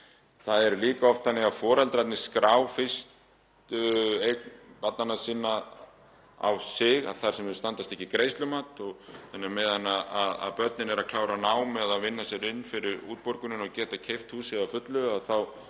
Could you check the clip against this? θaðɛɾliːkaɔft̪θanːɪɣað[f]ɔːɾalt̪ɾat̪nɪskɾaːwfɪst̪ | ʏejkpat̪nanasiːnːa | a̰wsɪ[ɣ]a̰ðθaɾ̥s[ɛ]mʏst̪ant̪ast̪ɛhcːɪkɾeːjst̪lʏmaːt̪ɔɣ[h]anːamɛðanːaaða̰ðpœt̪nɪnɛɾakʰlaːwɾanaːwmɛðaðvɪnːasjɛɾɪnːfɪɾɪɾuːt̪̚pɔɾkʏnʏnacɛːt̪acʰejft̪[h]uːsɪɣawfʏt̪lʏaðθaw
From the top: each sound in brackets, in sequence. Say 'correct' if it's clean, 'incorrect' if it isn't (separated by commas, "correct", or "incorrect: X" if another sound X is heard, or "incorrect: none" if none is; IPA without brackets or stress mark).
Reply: correct, correct, correct, incorrect: θ, correct